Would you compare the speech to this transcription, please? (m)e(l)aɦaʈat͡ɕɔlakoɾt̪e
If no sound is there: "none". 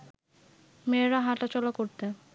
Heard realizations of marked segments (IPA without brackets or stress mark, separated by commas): m, ɾ